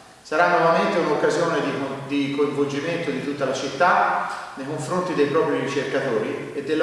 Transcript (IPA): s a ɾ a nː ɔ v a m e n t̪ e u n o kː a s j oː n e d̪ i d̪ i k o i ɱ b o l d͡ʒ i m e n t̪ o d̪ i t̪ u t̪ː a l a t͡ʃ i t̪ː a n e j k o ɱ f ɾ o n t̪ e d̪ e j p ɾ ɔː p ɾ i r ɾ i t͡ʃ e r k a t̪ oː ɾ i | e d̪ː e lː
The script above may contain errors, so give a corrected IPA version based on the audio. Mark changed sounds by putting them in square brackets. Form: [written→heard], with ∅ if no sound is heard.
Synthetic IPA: s a ɾ a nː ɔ v a m e n t̪ e u n o kː a [s→z] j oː n e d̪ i d̪ i k o i ɱ [b→v] o l d͡ʒ i m e n t̪ o d̪ i t̪ u t̪ː a l a t͡ʃ i t̪ː a n e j k o ɱ f ɾ o n t̪ [e→i] d̪ e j p ɾ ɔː p ɾ i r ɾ i t͡ʃ e r k a t̪ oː ɾ i | e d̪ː e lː